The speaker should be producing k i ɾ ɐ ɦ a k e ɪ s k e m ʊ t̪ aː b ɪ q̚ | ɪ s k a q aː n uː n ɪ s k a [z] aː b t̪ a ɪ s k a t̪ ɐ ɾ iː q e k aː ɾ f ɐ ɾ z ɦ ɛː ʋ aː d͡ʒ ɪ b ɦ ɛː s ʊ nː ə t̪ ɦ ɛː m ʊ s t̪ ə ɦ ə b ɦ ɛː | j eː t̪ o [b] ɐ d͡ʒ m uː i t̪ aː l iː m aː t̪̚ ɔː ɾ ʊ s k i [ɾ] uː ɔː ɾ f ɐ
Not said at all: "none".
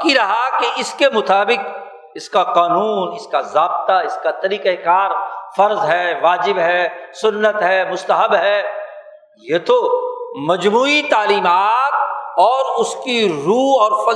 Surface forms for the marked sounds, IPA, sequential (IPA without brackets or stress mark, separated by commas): z, m, ɾ